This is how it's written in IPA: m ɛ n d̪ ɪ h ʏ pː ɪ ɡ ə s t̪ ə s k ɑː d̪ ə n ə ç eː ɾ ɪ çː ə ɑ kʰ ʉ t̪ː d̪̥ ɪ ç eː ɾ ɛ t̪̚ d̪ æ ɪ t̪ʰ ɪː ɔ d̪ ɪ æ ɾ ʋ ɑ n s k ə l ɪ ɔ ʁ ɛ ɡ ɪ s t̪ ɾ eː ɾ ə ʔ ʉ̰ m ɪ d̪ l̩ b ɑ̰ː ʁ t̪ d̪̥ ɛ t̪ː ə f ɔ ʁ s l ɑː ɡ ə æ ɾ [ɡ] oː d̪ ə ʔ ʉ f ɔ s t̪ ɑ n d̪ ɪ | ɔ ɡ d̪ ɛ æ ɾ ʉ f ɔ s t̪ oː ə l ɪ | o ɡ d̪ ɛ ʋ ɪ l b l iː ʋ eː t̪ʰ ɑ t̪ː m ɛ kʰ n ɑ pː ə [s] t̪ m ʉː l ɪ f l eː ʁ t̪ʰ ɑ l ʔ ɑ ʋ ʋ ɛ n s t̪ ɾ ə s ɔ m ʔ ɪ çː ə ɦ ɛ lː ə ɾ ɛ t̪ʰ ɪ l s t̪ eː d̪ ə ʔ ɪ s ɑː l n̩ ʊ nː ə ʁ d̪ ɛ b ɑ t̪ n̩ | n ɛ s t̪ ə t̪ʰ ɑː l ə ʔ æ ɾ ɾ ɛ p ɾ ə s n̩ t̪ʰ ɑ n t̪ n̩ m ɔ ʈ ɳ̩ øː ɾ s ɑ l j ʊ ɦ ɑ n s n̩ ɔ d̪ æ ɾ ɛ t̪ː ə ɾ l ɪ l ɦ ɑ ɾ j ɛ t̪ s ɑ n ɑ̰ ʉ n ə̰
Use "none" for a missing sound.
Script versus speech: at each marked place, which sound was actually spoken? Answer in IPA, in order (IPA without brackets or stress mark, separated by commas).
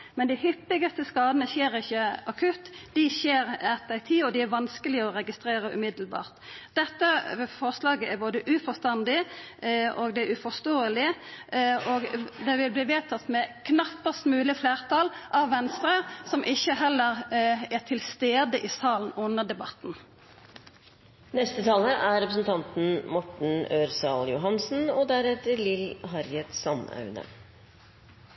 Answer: b, s